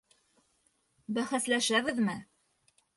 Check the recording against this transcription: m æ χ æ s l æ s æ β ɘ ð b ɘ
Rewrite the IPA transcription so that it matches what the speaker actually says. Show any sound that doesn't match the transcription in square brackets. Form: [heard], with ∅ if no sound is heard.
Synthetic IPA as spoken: [b] æ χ æ s l æ [ʃ] æ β ɘ ð [m] ɘ